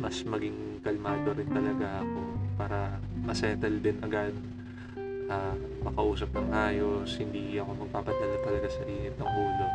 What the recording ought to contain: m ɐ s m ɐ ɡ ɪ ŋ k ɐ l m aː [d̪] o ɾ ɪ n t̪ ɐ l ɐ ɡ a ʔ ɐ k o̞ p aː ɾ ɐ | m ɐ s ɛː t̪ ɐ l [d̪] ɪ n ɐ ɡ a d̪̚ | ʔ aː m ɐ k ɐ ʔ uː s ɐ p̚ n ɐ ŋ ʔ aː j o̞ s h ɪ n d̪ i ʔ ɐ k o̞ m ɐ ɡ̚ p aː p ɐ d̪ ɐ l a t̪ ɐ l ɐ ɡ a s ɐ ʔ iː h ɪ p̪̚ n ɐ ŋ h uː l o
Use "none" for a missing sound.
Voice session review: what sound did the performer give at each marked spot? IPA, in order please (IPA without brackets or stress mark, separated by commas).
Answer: d̪, d̪